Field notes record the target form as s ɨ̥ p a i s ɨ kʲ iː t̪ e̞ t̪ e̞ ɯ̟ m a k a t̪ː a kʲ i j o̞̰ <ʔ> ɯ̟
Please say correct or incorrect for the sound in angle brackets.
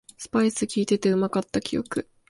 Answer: incorrect